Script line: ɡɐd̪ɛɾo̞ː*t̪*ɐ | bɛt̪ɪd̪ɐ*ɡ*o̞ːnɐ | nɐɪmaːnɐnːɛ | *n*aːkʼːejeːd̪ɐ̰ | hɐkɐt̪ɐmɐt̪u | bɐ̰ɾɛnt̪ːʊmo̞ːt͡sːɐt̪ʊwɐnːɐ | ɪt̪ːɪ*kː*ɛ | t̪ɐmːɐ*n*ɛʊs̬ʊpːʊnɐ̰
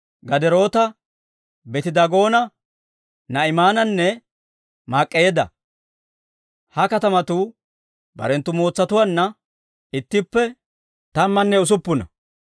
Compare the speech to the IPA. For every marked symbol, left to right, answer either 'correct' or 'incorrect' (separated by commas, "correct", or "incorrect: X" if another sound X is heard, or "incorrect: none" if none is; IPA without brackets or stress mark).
correct, correct, incorrect: m, incorrect: pː, incorrect: nː